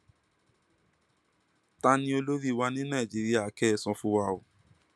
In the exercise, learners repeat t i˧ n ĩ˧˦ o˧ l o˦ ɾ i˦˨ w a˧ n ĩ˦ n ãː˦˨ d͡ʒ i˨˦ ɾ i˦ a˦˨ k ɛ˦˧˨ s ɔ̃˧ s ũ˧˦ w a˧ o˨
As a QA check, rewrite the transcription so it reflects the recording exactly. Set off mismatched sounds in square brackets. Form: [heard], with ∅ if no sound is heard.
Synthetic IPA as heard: t [a˧] n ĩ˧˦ o˧ l o˦ ɾ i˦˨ w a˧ n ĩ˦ n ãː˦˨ d͡ʒ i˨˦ ɾ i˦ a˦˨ k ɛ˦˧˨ s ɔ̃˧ [f] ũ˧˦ w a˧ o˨